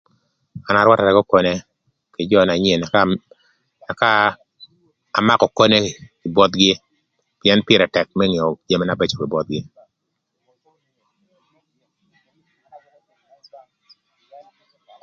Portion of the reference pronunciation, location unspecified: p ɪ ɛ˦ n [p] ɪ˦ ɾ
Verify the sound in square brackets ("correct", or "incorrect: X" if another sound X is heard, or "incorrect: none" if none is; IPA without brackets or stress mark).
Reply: correct